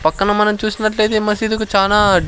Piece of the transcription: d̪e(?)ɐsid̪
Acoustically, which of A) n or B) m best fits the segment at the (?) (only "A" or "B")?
B